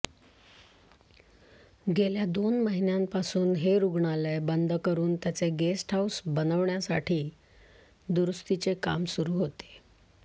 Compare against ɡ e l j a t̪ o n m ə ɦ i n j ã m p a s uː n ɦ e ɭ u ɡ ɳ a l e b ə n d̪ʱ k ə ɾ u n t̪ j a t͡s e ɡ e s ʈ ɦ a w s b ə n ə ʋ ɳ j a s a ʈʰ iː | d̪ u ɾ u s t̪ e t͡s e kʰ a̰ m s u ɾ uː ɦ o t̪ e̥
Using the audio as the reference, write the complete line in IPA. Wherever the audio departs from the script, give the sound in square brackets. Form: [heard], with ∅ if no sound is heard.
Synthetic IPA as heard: ɡ e l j a [d̪] o n m ə ɦ i n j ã m p a s uː n ɦ e [ɾ] u ɡ ɳ a l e b ə n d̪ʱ k ə ɾ [uː] n t̪ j a t͡s e ɡ e s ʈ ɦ a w s b ə n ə ʋ ɳ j a s a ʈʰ iː | d̪ u ɾ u s t̪ [i] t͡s e [k] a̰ m s u ɾ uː ɦ o t̪ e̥

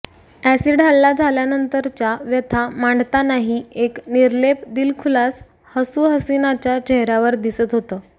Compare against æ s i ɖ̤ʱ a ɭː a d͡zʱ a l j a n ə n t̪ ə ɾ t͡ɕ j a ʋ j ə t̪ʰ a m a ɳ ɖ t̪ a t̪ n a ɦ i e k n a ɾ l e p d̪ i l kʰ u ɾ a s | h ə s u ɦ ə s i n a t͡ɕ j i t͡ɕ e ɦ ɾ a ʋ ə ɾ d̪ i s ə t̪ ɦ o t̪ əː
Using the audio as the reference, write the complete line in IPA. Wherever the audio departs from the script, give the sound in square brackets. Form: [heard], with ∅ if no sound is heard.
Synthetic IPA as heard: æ s i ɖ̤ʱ a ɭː a d͡zʱ a l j a n ə n t̪ ə ɾ t͡ɕ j a ʋ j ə t̪ʰ a m a ɳ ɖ t̪ a [∅] n a ɦ i e k n [i] ɾ l e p d̪ i l kʰ u [l] a s | h ə s u ɦ ə s i n a t͡ɕ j [a] t͡ɕ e ɦ ɾ a ʋ ə ɾ d̪ i s ə t̪ ɦ o t̪ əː

